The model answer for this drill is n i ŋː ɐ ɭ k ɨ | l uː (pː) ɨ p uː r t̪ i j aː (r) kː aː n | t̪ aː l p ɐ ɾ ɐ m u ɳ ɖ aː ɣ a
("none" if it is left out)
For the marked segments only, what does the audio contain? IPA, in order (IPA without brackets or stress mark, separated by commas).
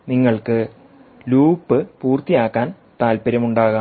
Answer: pː, none